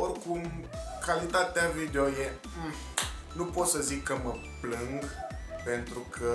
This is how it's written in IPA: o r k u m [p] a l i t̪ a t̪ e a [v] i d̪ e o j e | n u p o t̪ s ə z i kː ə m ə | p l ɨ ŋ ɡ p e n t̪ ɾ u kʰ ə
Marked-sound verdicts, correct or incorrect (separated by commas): incorrect, correct